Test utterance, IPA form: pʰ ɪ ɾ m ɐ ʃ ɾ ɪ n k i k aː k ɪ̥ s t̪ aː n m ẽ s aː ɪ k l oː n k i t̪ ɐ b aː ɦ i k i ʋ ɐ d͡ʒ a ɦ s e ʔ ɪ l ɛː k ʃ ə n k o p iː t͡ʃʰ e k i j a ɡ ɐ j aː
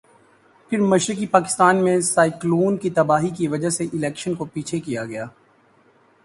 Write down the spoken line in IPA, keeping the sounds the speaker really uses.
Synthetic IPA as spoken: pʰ ɪ ɾ m ɐ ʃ ɾ ɪ k i p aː k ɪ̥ s t̪ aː n m ẽ s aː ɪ k l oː n k i t̪ ɐ b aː ɦ i k i ʋ ɐ d͡ʒ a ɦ s e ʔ ɪ l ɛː k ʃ ə n k o p iː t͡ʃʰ e k i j a ɡ ɐ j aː